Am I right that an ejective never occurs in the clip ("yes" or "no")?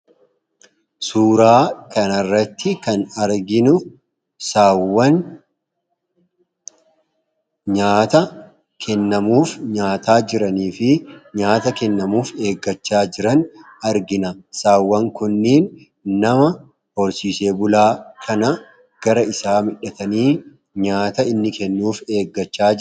yes